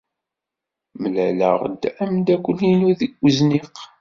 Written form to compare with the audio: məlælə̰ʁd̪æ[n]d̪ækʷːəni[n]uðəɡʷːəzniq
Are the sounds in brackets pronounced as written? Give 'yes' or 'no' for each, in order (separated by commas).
no, yes